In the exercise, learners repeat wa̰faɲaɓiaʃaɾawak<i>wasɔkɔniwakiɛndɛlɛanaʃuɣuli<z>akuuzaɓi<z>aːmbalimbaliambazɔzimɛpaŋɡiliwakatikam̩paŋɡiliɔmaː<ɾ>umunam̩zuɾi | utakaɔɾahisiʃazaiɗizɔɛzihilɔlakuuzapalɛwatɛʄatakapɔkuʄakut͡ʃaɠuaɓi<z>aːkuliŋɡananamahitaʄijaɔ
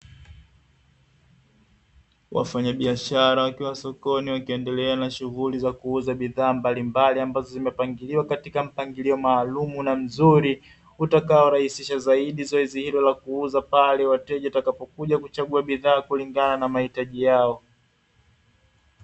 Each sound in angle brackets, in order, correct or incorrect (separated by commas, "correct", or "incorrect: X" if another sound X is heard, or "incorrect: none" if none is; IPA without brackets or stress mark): correct, correct, incorrect: ð, incorrect: l, incorrect: ð